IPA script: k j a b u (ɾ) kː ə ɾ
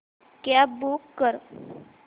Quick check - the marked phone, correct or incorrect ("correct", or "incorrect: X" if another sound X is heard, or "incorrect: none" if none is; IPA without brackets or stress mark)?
incorrect: none